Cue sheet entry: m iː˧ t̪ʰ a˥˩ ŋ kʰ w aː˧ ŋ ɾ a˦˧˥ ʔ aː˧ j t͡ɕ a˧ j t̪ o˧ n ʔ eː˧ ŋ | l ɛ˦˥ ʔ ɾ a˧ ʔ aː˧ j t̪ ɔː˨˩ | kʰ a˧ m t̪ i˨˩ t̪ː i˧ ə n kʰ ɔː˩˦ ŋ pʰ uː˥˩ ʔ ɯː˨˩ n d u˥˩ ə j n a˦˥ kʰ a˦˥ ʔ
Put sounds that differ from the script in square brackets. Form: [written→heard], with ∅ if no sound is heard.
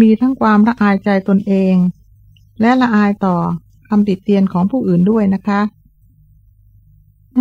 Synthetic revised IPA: m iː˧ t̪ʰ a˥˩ ŋ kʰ w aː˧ [ŋ→m] ɾ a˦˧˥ ʔ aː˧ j t͡ɕ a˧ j t̪ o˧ n ʔ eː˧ ŋ | l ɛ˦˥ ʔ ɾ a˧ ʔ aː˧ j t̪ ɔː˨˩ | kʰ a˧ m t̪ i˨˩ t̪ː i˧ ə n kʰ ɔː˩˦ ŋ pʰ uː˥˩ ʔ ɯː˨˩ n d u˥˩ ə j n a˦˥ kʰ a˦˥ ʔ